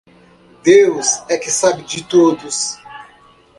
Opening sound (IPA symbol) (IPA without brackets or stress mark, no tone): d̪